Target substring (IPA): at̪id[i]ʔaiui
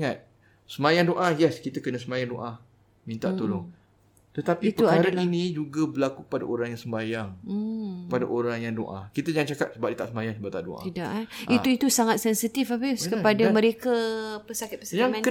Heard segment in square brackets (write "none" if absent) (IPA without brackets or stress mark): a